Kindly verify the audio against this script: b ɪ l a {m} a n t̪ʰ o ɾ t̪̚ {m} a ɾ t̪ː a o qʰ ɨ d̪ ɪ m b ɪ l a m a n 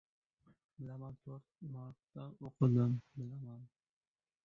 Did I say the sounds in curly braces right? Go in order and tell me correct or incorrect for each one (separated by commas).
correct, correct